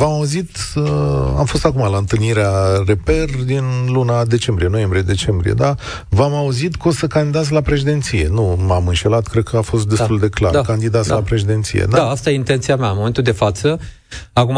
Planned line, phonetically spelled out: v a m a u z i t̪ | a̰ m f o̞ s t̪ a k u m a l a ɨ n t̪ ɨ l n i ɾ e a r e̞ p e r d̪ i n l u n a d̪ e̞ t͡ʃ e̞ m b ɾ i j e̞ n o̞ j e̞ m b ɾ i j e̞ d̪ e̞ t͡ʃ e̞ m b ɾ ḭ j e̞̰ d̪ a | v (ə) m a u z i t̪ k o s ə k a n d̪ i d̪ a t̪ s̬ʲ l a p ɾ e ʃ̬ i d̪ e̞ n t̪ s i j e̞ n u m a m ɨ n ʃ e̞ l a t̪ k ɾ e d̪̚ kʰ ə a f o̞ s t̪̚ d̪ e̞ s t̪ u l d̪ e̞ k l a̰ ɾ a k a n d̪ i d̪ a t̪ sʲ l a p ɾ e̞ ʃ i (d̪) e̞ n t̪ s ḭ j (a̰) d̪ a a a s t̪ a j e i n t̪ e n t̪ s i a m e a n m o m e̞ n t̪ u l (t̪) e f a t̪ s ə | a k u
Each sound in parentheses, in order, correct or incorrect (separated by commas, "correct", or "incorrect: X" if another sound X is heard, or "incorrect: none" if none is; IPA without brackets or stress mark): incorrect: a, correct, incorrect: ḛ, incorrect: d̪